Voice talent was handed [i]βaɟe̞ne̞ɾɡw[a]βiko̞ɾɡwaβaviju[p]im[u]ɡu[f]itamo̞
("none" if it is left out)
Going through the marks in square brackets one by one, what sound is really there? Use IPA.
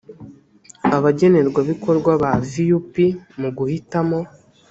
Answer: a, a, p, u, h

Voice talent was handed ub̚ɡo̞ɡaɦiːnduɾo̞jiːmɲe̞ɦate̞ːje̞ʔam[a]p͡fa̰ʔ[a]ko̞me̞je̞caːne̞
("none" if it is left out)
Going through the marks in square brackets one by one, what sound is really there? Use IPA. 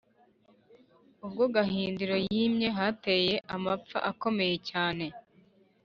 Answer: a, a

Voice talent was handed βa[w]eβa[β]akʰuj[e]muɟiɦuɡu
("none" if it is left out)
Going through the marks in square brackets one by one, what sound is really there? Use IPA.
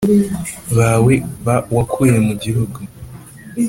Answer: w, w, e

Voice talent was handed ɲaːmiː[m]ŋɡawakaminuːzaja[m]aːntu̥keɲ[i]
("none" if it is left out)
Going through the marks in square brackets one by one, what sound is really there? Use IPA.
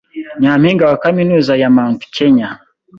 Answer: none, m, a

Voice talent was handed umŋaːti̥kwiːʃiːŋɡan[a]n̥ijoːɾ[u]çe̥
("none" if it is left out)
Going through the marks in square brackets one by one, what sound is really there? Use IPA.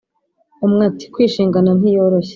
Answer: a, o

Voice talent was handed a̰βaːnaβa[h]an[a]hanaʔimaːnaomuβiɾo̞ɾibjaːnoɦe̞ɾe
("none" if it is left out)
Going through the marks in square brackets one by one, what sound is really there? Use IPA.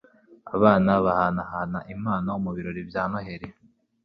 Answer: h, a

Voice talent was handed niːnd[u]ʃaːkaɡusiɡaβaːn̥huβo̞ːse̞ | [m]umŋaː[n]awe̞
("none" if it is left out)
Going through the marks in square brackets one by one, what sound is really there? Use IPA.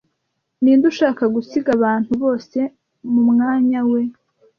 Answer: u, m, ɲ

